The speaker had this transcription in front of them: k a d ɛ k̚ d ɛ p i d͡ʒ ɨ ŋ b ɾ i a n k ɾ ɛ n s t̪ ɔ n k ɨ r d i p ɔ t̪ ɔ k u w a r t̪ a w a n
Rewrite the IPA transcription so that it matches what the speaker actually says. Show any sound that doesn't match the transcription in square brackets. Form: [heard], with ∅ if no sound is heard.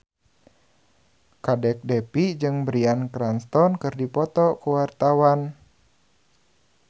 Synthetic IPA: k a d ɛ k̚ d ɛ p i d͡ʒ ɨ ŋ b ɾ i a n k ɾ [a] n s t̪ ɔ n k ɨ r d i p ɔ t̪ ɔ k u w a r t̪ a w a n